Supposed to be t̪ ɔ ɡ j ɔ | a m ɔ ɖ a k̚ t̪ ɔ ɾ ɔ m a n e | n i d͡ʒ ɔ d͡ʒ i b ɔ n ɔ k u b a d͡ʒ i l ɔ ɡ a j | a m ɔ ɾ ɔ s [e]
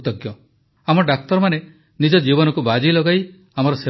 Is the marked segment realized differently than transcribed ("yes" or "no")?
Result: no